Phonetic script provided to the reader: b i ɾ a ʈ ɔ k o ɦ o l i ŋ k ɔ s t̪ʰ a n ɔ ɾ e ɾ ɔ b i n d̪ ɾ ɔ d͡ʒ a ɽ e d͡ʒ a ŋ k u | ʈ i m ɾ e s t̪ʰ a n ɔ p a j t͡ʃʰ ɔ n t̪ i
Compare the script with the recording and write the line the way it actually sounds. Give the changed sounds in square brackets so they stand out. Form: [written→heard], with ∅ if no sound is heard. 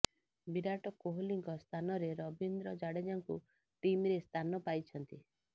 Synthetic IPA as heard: b i ɾ a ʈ ɔ k o ɦ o l i ŋ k ɔ s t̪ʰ a n ɔ ɾ e ɾ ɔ b i n d̪ ɾ ɔ d͡ʒ a ɽ e d͡ʒ a ŋ k u | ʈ i m ɾ e s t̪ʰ a n ɔ p a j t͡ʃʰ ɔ n t̪ i